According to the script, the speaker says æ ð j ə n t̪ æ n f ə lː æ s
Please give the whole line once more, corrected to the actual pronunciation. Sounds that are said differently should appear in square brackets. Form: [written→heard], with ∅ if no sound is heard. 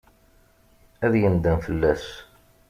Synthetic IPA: æ ð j ə n [t̪→d̪] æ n f ə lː æ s